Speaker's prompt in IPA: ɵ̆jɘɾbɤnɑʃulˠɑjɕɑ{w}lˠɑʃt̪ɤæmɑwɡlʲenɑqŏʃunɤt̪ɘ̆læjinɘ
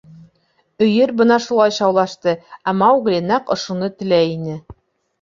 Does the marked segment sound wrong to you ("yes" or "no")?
no